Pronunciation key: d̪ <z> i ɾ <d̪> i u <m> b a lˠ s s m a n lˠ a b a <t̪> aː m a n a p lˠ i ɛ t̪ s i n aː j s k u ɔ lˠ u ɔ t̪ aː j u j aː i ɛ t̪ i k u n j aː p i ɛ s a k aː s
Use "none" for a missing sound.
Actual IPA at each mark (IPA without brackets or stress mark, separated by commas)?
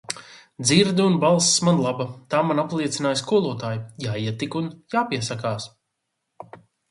z, d̪, n, t̪